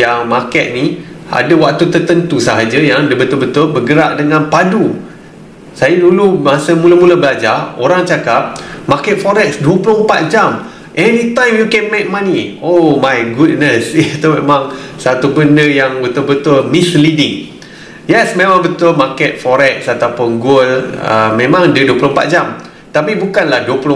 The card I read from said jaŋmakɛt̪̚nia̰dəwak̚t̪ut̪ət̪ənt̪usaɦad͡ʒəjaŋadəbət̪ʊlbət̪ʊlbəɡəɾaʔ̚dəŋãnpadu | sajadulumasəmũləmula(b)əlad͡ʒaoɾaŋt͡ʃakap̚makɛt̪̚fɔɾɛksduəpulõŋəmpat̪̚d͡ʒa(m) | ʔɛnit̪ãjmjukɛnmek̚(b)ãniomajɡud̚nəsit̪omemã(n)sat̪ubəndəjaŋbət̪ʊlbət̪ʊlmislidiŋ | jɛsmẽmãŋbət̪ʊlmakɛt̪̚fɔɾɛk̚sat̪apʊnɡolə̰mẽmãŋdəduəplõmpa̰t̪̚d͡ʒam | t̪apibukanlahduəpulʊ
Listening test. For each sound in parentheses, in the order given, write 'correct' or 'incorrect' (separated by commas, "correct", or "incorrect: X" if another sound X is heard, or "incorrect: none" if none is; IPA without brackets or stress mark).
correct, correct, incorrect: m, incorrect: ŋ